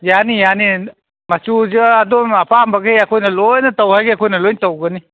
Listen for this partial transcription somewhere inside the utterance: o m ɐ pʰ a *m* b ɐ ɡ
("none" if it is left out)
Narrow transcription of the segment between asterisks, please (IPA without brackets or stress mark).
m